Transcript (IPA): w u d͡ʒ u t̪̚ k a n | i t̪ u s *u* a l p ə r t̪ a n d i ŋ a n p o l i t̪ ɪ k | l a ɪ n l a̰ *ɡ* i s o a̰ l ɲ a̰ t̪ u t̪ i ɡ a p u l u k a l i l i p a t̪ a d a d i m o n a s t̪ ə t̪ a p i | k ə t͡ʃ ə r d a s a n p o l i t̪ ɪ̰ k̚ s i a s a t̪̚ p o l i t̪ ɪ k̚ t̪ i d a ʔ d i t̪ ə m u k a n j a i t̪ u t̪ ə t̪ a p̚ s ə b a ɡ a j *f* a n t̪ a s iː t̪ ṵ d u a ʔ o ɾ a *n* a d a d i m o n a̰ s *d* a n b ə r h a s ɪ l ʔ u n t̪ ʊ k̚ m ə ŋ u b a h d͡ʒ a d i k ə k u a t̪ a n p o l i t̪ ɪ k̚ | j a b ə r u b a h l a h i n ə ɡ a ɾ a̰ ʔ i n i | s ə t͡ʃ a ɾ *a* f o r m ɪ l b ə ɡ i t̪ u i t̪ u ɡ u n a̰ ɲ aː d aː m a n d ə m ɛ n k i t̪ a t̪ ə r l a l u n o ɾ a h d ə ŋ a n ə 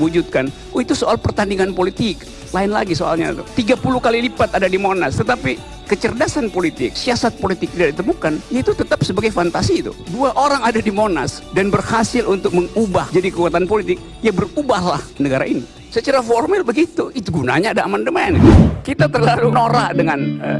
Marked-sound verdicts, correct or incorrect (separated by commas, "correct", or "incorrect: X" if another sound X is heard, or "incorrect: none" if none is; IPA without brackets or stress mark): incorrect: o, correct, correct, incorrect: ŋ, correct, correct